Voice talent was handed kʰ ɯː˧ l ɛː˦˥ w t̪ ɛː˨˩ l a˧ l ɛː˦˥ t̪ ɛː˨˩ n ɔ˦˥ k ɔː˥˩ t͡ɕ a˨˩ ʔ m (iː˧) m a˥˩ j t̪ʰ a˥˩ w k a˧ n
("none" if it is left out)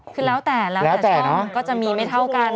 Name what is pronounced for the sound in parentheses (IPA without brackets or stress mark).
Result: iː˧